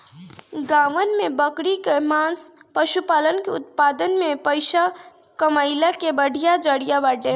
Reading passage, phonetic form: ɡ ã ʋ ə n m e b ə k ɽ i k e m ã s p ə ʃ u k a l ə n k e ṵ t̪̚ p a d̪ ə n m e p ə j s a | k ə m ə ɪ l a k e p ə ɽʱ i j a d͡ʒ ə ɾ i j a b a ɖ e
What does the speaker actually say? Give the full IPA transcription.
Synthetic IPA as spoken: ɡ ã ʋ ə n m e b ə k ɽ i k e m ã s p ə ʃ u p a l ə n k e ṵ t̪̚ p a d̪ ə n m e p ə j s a | k ə m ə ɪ l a k e b ə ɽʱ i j a d͡ʒ ə ɽ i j a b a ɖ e